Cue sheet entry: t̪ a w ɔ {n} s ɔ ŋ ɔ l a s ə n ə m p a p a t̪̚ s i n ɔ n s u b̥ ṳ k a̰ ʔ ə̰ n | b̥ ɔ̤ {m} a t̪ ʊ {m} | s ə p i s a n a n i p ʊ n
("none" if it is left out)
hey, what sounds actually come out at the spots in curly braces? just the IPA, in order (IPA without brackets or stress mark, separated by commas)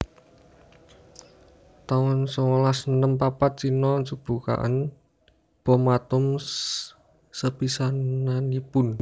n, m, m